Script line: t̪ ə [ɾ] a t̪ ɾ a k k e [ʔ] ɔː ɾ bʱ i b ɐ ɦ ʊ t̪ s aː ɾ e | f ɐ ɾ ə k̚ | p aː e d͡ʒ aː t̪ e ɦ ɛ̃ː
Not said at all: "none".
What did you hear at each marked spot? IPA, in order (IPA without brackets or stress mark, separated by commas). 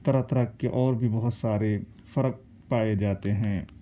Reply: ɾ, ʔ